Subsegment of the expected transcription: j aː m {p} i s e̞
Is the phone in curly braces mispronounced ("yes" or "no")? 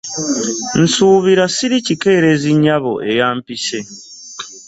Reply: no